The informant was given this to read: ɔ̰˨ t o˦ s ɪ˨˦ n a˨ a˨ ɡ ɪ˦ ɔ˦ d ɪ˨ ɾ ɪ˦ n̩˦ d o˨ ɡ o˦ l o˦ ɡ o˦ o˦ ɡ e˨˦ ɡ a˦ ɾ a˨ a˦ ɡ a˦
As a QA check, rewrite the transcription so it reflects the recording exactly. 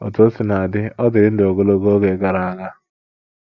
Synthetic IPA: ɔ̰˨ t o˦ s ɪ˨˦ n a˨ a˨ d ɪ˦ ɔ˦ d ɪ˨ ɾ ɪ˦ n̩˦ d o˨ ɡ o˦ l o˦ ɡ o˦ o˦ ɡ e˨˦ ɡ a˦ ɾ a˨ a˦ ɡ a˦